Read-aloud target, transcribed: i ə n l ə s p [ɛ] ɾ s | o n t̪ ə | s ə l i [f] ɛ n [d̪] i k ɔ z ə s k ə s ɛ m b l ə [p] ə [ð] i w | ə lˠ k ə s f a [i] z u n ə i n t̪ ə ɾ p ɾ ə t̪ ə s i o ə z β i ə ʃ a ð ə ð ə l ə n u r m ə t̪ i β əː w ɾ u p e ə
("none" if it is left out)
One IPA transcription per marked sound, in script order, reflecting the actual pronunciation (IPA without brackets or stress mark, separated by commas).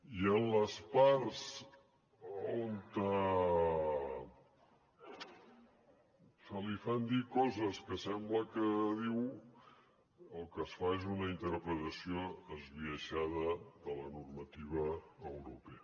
a, f, d̪, k, ð, e